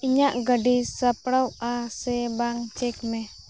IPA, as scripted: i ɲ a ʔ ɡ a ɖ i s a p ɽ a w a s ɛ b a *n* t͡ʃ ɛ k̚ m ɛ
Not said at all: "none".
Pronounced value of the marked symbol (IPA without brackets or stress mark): ŋ